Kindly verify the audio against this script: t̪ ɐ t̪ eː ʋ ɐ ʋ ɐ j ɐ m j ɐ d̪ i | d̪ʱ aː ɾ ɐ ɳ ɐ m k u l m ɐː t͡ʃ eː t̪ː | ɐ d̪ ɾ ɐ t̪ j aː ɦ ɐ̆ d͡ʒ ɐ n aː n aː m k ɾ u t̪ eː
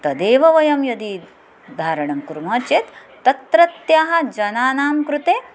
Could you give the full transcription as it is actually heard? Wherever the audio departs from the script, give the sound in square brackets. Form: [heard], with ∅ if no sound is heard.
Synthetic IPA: t̪ ɐ [d̪] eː ʋ ɐ ʋ ɐ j ɐ m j ɐ d̪ i | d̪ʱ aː ɾ ɐ ɳ ɐ m k u [ɾ] m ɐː t͡ʃ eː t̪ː | ɐ [t̪] ɾ ɐ t̪ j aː ɦ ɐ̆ d͡ʒ ɐ n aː n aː m k ɾ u t̪ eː